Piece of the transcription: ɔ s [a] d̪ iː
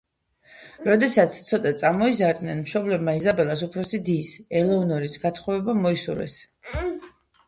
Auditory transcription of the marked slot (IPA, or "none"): i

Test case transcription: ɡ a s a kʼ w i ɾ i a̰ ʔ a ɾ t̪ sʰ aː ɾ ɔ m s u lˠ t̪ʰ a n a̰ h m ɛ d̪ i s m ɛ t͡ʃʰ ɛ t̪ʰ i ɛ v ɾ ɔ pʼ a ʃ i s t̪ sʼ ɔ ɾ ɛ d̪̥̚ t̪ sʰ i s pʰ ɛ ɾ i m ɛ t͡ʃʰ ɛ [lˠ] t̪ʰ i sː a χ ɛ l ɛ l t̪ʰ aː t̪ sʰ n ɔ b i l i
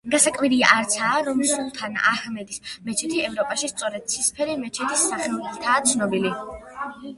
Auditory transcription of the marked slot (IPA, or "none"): none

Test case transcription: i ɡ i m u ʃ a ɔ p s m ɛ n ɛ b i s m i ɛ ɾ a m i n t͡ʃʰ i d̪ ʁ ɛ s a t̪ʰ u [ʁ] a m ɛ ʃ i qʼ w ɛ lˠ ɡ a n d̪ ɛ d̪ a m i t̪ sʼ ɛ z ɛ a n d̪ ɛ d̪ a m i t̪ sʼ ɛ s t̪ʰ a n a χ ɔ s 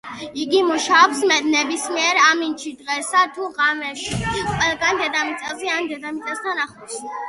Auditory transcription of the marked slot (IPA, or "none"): ʁ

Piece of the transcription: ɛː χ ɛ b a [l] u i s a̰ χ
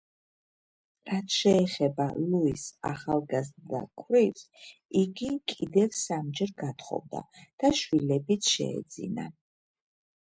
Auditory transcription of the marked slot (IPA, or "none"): l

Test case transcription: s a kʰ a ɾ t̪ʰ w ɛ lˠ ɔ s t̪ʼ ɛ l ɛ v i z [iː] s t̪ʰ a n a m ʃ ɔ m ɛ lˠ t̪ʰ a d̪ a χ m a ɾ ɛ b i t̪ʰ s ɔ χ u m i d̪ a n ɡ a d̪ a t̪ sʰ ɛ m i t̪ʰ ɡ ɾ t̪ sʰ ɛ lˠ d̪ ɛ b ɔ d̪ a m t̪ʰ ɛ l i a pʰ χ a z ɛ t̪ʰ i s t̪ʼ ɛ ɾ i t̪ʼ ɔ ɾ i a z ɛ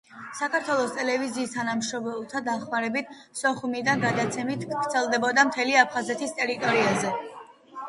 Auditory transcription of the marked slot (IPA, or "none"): iː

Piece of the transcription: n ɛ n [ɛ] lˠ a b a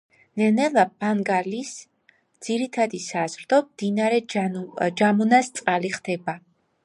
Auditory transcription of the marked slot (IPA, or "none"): ɛ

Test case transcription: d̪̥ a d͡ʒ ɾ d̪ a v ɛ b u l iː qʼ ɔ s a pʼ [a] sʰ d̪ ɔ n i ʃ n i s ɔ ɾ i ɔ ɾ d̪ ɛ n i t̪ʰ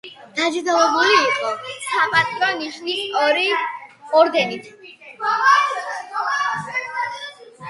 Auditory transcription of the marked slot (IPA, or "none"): a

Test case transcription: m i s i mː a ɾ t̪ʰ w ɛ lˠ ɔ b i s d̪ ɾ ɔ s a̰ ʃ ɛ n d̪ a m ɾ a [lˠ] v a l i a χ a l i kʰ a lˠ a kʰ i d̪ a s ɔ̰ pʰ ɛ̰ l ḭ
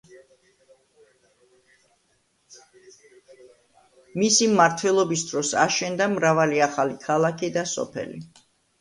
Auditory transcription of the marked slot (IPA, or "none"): none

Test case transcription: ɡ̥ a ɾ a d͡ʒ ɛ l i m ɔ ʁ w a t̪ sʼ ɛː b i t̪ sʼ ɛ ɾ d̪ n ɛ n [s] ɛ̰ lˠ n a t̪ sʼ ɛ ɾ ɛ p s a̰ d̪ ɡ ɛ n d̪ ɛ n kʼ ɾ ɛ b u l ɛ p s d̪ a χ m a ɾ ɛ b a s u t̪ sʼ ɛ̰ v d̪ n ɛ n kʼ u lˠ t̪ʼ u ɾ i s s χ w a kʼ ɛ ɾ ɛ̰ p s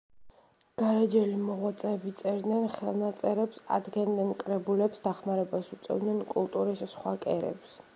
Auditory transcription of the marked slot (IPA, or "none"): χ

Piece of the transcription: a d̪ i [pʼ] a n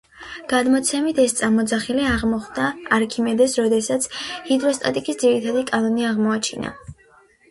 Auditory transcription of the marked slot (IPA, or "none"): kʼ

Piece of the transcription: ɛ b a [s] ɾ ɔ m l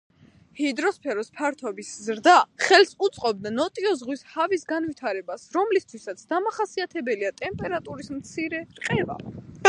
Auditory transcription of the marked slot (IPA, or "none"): s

